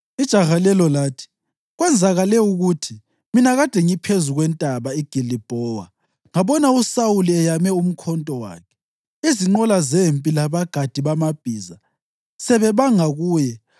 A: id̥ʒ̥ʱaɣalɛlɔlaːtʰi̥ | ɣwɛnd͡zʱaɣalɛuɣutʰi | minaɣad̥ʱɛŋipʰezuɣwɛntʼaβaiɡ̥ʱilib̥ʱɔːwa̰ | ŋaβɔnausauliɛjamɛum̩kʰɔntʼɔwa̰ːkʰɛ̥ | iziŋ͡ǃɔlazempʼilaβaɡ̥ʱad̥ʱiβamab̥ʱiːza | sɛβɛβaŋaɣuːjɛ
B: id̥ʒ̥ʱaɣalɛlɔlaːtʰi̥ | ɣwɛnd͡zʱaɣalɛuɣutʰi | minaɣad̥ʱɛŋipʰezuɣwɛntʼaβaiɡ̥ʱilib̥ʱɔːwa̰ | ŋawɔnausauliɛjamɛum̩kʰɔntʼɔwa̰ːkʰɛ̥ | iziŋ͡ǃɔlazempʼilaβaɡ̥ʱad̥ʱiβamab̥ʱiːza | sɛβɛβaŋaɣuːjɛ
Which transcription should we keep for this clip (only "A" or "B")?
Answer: A